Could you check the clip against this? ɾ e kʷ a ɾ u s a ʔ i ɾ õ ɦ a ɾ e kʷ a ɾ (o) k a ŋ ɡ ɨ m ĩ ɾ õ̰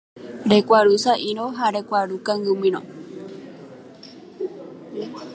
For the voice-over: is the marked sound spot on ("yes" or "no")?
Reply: no